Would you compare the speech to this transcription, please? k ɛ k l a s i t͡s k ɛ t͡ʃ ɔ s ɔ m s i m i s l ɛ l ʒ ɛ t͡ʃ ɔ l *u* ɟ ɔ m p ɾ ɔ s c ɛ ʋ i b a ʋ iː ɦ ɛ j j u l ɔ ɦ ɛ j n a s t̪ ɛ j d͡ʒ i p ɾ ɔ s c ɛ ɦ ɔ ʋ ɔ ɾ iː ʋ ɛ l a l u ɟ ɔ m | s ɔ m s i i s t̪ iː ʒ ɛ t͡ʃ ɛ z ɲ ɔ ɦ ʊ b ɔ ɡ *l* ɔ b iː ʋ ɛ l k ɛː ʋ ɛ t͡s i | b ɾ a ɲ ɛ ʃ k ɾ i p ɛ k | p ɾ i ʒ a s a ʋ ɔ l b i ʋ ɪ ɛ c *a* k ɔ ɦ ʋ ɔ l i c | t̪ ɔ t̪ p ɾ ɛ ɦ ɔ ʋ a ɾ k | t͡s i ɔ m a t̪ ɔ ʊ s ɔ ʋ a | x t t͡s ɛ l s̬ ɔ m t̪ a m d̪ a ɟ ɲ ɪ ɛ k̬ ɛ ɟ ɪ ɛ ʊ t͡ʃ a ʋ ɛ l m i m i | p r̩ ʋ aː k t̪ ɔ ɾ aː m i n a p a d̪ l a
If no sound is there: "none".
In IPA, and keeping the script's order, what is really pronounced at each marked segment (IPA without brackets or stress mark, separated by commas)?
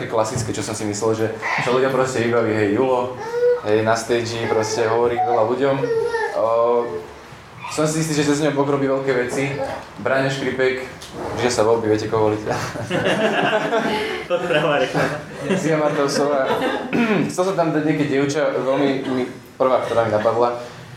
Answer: u, ɾ, ɛ